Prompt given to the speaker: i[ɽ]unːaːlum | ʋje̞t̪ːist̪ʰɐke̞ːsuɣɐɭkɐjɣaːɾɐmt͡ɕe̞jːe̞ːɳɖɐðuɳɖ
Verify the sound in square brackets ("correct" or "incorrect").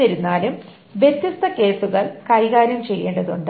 incorrect